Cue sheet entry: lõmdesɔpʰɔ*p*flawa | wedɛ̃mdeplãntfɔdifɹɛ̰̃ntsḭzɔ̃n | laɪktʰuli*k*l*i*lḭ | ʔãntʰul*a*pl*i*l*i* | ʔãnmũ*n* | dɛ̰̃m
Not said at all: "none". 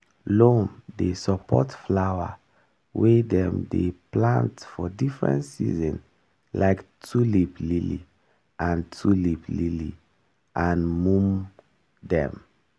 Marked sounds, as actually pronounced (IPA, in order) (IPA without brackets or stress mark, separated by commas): t, p, i, i, i, i, m